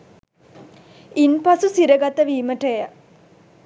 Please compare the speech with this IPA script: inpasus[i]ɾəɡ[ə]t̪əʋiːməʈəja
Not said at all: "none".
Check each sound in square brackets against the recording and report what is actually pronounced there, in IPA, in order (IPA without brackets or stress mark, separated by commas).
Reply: i, a